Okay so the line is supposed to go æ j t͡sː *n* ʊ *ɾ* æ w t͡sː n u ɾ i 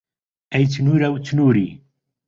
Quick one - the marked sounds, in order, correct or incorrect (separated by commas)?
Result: correct, correct